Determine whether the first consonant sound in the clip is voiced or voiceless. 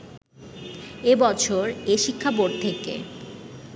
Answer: voiced